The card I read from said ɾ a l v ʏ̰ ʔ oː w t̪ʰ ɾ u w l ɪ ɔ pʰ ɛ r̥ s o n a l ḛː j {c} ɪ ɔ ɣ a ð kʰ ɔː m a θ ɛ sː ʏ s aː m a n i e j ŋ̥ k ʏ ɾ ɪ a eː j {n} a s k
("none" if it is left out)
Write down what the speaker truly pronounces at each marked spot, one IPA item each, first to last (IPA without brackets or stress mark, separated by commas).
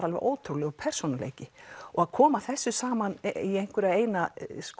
c, n